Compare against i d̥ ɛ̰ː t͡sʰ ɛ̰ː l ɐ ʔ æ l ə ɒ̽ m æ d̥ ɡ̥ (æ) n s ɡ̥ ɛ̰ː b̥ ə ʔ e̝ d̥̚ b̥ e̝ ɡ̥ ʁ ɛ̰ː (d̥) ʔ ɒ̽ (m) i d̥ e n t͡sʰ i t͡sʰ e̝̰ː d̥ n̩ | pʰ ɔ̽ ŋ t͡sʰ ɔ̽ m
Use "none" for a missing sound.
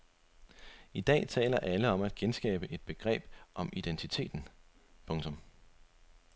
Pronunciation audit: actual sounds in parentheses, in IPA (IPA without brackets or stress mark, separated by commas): e, b̥, m